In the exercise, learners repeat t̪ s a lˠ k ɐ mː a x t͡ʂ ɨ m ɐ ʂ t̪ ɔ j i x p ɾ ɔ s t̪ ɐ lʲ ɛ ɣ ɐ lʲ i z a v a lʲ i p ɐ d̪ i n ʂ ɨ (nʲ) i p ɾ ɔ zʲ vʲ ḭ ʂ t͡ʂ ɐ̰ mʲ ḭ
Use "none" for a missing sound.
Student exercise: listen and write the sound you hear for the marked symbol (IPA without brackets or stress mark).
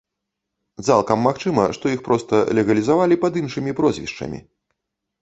mʲ